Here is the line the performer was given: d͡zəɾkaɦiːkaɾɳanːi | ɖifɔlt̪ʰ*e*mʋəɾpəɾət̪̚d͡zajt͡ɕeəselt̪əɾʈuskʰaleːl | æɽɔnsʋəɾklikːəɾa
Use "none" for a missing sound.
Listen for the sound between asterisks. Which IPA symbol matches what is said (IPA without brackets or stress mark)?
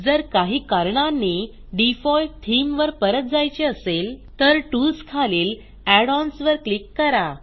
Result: i